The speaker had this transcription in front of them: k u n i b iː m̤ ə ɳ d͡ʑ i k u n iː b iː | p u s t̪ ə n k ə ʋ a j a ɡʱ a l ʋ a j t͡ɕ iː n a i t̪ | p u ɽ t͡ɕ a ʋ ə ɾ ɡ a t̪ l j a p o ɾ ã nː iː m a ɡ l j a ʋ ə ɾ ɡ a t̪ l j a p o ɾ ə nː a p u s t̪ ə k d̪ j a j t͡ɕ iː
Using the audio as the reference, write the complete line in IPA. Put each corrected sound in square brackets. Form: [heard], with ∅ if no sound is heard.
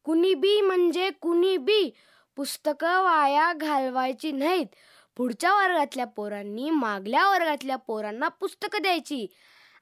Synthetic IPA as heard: k u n i b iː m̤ ə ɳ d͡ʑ [e] k u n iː b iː | p u s t̪ ə [∅] k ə ʋ a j a ɡʱ a l ʋ a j t͡ɕ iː n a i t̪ | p u ɽ t͡ɕ a ʋ ə ɾ ɡ a t̪ l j a p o ɾ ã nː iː m a ɡ l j a ʋ ə ɾ ɡ a t̪ l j a p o ɾ [a] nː a p u s t̪ ə k d̪ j a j t͡ɕ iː